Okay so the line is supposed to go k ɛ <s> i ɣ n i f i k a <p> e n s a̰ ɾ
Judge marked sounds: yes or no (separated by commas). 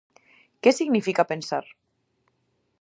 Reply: yes, yes